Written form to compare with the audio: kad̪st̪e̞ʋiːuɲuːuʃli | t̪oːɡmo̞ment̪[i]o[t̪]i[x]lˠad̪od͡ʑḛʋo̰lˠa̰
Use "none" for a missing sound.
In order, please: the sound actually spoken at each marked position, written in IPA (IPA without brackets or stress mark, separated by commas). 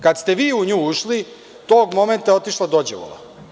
a, t̪, ʃ